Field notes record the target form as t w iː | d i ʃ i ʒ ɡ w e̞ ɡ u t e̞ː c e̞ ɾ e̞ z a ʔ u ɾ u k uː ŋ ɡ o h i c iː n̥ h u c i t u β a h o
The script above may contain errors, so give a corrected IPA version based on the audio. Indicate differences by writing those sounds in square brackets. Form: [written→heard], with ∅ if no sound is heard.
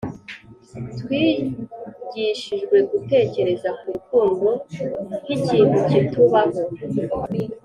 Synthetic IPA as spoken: t w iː | [d→ɟ] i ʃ i ʒ ɡ w e̞ ɡ u t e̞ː c e̞ ɾ e̞ z a [ʔ→k] u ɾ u k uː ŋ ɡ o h i c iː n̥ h u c i t u β a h o